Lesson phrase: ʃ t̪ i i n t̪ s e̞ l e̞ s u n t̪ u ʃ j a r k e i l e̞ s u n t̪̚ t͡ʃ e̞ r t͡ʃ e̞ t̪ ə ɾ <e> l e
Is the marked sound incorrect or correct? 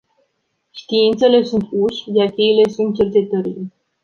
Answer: incorrect